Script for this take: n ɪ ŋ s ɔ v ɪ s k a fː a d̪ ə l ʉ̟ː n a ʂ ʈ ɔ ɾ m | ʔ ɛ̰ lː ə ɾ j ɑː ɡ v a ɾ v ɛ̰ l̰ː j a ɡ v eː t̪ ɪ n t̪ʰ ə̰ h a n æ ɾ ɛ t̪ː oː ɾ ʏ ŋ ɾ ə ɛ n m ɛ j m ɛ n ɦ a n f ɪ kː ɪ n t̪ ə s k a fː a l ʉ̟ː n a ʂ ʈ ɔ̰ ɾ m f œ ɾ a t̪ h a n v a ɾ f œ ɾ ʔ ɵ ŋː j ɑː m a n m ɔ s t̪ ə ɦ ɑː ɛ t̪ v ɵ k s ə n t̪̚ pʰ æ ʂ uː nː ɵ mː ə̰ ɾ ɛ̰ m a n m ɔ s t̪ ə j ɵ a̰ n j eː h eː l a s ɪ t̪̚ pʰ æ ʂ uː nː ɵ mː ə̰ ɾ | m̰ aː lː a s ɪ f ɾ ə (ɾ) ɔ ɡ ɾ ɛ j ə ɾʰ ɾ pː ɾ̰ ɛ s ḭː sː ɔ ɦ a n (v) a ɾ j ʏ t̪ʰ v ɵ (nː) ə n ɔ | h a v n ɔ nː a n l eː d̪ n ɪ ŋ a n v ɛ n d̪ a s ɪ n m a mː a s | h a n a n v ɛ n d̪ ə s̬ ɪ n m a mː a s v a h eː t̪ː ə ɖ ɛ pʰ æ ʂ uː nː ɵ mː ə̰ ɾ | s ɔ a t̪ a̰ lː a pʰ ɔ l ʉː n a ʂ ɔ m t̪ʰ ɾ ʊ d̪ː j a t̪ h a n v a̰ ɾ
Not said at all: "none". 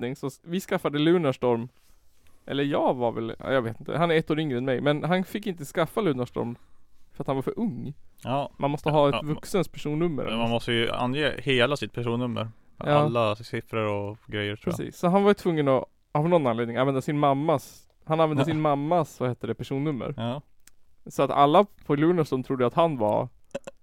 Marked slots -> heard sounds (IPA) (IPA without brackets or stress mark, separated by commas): ɾ, v, ŋː